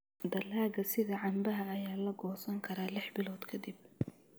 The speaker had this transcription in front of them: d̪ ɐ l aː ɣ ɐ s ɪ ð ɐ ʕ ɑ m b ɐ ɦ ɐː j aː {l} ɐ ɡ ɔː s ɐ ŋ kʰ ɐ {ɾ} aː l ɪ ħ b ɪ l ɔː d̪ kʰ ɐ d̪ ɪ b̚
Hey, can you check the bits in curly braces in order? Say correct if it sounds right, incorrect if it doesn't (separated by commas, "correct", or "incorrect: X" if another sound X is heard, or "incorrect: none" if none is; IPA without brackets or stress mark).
correct, correct